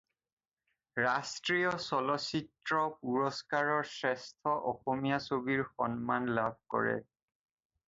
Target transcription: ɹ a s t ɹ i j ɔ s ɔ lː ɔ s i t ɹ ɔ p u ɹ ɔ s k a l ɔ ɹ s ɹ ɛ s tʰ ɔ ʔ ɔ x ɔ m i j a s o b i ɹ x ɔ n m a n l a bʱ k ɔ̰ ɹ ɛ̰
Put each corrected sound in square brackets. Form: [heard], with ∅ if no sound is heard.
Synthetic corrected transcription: ɹ a s t ɹ i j ɔ s ɔ [l] ɔ s i t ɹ ɔ p u ɹ ɔ s k a [ɹ] ɔ ɹ s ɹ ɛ s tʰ ɔ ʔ ɔ x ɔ m i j a s o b i ɹ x ɔ n m a n l a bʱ k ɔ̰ ɹ ɛ̰